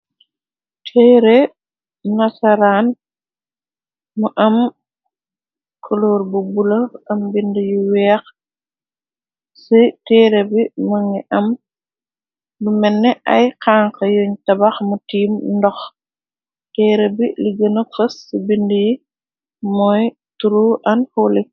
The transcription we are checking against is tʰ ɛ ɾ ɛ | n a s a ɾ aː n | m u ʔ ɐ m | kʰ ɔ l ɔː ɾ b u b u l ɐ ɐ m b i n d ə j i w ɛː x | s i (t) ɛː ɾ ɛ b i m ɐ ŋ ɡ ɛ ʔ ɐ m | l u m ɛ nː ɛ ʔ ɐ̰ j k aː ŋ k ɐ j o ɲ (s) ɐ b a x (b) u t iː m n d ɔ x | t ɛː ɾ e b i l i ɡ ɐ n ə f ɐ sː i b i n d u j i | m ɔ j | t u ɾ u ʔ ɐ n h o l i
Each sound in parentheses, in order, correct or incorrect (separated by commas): correct, incorrect, incorrect